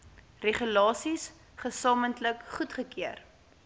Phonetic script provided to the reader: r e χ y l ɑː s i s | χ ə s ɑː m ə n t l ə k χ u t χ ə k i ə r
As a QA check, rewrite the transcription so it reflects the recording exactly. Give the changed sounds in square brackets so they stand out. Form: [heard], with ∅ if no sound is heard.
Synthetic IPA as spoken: r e χ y l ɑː s i s | χ ə s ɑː m ə n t l ə k χ u t χ ə k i ə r